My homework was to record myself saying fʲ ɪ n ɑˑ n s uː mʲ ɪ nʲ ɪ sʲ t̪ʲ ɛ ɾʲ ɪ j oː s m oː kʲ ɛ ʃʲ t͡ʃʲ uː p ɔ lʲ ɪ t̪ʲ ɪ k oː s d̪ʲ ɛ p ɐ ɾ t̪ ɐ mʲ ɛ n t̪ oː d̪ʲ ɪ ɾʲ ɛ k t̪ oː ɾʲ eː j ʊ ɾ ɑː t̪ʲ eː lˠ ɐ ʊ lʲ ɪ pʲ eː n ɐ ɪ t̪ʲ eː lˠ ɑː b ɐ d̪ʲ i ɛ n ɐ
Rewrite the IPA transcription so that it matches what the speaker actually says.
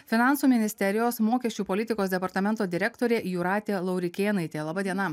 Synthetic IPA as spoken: fʲ ɪ n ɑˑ n s uː mʲ ɪ nʲ ɪ sʲ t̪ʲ ɛ ɾʲ ɪ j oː s m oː kʲ ɛ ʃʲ t͡ʃʲ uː p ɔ lʲ ɪ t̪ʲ ɪ k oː s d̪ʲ ɛ p ɐ ɾ t̪ ɐ mʲ ɛ n t̪ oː d̪ʲ ɪ ɾʲ ɛ k t̪ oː ɾʲ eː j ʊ ɾ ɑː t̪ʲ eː lˠ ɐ ʊ ɾʲ ɪ kʲ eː n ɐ ɪ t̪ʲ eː lˠ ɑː b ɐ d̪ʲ i ɛ n ɐ